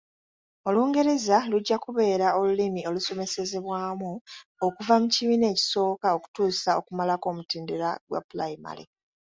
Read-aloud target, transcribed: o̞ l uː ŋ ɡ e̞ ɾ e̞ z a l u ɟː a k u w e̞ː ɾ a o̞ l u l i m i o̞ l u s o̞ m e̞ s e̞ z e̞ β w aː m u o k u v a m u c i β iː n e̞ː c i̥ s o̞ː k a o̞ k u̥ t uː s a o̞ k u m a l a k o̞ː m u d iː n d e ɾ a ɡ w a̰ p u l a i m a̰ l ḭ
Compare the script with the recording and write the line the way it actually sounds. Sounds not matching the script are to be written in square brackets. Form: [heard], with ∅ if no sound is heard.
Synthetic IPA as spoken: o̞ l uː ŋ ɡ e̞ ɾ e̞ z a l u ɟː a k u [β] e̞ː ɾ a o̞ l u l i m i o̞ l u s o̞ m e̞ s e̞ z e̞ β w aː m u o k u v a m u c i β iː n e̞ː c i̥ s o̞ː k a o̞ k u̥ t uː s a o̞ k u m a l a k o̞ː m u [t] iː n d e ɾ a ɡ w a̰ p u l a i m a̰ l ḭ